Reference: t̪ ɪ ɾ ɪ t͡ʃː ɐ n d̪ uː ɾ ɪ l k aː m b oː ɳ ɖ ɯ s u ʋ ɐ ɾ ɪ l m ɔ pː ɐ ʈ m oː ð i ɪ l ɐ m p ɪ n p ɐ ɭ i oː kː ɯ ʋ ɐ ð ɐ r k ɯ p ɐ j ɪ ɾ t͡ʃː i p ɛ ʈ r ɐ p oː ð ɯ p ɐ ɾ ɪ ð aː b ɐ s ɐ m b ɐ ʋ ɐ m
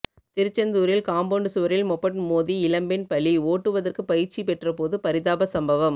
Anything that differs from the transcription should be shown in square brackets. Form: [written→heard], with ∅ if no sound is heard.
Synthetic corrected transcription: t̪ ɪ ɾ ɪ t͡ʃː ɐ n d̪ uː ɾ ɪ l k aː m b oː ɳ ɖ ɯ s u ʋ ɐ ɾ ɪ l m ɔ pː ɐ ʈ m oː ð i ɪ l ɐ m [p→b] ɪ n p ɐ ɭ i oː [kː→ʈː] ɯ ʋ ɐ ð ɐ r k ɯ p ɐ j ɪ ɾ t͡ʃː i p ɛ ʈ r ɐ p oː ð ɯ p ɐ ɾ ɪ ð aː b ɐ s ɐ m b ɐ ʋ ɐ m